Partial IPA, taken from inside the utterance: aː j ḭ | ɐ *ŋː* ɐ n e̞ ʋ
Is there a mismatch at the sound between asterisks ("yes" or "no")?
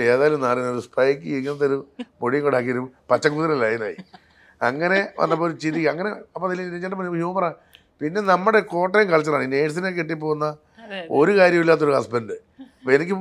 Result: no